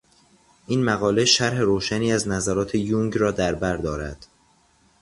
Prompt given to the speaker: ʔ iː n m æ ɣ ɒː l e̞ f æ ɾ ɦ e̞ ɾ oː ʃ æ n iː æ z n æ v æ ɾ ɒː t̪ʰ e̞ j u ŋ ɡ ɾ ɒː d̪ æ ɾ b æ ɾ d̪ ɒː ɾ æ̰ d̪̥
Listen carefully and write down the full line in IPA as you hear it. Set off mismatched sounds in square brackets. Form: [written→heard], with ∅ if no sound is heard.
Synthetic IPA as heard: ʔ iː n m æ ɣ ɒː l e̞ [f→ʃ] æ ɾ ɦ e̞ ɾ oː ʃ æ n iː æ z n æ [v→z] æ ɾ ɒː t̪ʰ e̞ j u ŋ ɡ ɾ ɒː d̪ æ ɾ b æ ɾ d̪ ɒː ɾ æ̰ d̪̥